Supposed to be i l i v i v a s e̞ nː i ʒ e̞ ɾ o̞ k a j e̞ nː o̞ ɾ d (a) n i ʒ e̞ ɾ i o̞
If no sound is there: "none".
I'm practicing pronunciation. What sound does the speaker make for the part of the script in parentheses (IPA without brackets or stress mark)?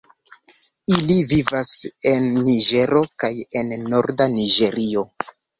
a